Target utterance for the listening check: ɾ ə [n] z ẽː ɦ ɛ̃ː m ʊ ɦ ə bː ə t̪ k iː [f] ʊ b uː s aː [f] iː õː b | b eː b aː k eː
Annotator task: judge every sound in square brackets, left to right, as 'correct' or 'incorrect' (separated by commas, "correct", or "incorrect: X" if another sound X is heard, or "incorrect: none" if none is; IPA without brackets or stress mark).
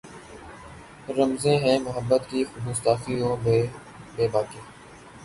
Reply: incorrect: m, incorrect: x, correct